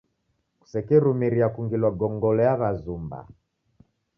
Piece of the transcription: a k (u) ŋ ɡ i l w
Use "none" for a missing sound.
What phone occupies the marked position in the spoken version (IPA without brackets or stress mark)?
u